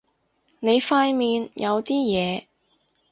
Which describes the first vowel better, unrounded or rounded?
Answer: unrounded